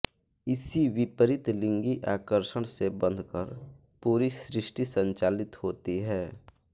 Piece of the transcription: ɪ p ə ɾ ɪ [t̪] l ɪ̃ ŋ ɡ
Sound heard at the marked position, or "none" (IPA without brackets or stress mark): t̪